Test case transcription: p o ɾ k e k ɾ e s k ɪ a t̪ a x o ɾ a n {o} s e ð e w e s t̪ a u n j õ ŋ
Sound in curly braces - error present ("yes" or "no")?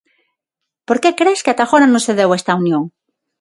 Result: yes